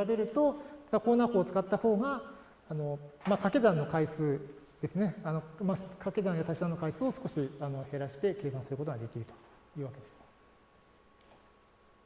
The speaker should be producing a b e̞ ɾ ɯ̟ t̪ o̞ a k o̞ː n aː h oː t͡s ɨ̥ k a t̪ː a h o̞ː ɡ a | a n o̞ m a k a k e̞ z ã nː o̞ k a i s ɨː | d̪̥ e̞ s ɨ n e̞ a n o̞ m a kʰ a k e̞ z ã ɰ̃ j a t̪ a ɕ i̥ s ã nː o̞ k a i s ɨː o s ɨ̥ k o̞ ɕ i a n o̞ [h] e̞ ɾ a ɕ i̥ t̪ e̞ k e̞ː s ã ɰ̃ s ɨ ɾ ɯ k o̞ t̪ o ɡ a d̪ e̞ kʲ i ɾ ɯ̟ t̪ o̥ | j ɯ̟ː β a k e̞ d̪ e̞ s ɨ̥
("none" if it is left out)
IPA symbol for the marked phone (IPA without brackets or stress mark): h